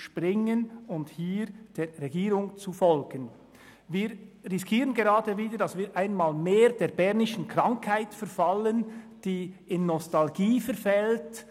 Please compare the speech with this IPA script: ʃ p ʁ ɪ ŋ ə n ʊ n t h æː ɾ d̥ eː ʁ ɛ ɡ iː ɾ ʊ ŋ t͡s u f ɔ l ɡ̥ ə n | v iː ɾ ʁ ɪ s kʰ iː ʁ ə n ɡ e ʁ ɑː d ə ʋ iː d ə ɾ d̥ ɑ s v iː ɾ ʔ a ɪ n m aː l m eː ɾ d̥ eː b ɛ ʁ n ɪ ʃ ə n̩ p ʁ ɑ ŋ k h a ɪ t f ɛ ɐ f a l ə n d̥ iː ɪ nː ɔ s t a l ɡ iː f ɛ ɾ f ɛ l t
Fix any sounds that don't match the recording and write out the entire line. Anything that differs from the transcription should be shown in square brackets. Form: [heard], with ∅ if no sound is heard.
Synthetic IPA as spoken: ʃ p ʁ ɪ ŋ ə n ʊ n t h [iː] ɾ d̥ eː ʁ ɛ ɡ iː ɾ ʊ ŋ t͡s u f ɔ l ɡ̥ ə n | v iː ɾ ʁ ɪ s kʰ iː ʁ ə n ɡ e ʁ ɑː d ə [v] iː d ə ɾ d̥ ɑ s v iː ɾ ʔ a ɪ n m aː l m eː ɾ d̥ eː b ɛ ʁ n ɪ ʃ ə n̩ [k] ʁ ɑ ŋ k h a ɪ t f ɛ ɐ f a l ə n d̥ iː ɪ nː ɔ s t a l ɡ iː f ɛ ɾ f ɛ l t